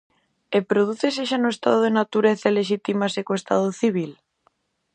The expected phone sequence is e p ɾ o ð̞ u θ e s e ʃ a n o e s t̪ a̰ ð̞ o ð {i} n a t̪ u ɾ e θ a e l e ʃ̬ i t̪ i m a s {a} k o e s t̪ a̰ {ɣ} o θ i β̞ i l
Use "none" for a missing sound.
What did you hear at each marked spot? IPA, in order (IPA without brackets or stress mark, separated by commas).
e, e, ð